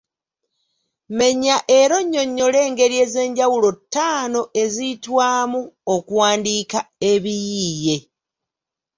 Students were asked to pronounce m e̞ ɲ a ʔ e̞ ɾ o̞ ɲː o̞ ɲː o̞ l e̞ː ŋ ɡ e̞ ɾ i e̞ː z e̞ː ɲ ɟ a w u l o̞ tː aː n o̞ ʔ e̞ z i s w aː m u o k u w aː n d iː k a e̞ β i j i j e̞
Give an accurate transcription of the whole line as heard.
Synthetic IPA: m e̞ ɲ a ʔ e̞ ɾ o̞ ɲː o̞ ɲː o̞ l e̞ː ŋ ɡ e̞ ɾ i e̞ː z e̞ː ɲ ɟ a w u l o̞ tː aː n o̞ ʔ e̞ z i t w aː m u o k u w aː n d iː k a e̞ β i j i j e̞